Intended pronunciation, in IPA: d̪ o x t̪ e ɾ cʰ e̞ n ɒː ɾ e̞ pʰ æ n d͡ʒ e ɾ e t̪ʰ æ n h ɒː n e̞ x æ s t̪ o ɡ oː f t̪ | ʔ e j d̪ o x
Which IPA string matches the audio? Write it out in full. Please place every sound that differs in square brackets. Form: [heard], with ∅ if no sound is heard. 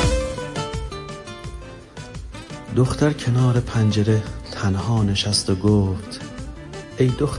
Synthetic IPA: d̪ o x t̪ [æ] ɾ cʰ e̞ n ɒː ɾ e̞ pʰ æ n d͡ʒ e ɾ e t̪ʰ æ n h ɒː n e̞ [ʃ] æ s t̪ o ɡ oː f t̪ | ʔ e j d̪ o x